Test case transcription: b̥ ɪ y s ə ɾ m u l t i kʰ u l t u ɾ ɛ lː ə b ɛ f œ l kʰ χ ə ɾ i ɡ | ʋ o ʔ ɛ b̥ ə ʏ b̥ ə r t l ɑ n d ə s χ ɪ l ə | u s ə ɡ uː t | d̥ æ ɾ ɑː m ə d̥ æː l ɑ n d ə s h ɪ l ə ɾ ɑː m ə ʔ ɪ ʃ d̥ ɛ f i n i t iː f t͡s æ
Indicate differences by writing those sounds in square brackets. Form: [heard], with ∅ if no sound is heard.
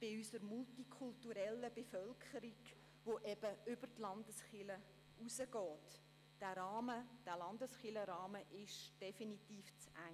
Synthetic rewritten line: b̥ ɪ y s ə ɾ m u l t i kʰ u l t u ɾ ɛ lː ə b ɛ f œ l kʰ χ ə ɾ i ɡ | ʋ o ʔ ɛ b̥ ə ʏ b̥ ə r t l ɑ n d ə s χ ɪ l ə | u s ə ɡ [ɔː] t | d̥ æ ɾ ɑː m ə d̥ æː l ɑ n d ə s [χ] ɪ l ə ɾ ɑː m ə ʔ ɪ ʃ d̥ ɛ f i n i t iː f t͡s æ